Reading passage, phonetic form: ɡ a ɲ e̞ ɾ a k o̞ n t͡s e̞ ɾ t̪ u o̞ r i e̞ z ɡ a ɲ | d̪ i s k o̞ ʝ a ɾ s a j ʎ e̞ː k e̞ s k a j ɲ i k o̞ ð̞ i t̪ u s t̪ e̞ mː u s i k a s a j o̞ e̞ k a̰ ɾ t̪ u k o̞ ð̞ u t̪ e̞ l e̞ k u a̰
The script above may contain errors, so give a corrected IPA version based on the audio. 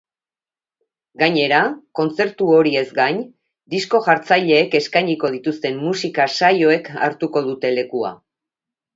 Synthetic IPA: ɡ a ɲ e̞ ɾ a k o̞ n t͡s e̞ ɾ t̪ u o̞ ɾ i e̞ z ɡ a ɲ | d̪ i s k o̞ ʝ a ɾ t͡s a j ʎ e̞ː k e̞ s k a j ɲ i k o̞ ð̞ i t̪ u s t̪ e̞ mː u s i k a s a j o̞ e̞ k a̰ ɾ t̪ u k o̞ ð̞ u t̪ e̞ l e̞ k u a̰